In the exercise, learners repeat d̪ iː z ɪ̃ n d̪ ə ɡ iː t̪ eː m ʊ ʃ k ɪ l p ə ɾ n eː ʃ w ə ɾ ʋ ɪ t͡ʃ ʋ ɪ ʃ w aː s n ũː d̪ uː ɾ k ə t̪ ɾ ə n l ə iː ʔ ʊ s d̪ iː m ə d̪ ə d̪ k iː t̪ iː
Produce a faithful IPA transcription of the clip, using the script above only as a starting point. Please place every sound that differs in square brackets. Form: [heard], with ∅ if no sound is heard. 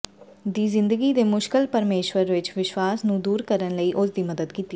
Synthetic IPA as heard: d̪ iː z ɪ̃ n d̪ ə ɡ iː [d̪] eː m ʊ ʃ k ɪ l p ə ɾ [m] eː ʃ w ə ɾ ʋ ɪ t͡ʃ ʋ ɪ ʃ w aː s n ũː d̪ uː ɾ k ə [∅] ɾ ə n l ə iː ʔ ʊ s d̪ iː m ə d̪ ə d̪ k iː t̪ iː